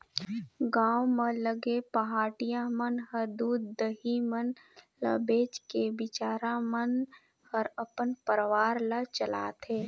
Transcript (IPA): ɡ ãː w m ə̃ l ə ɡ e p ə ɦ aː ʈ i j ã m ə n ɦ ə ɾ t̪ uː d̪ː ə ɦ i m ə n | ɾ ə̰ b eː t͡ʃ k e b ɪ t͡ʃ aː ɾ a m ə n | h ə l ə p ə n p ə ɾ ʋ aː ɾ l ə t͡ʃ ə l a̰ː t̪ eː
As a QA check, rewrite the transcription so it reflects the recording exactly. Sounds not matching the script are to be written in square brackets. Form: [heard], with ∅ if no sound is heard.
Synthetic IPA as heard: ɡ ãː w m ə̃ l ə ɡ e p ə ɦ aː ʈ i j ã m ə n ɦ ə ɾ [d̪] uː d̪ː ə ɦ i m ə n | [l] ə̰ b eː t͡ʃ k e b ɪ t͡ʃ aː ɾ a m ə n | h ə [ɾ] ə p ə n p ə ɾ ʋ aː ɾ l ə t͡ʃ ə l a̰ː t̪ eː